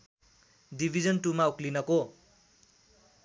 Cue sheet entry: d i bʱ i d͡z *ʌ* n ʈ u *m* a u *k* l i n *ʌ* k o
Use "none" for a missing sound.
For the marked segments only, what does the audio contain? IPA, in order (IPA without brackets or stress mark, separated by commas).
ʌ, m, k, ʌ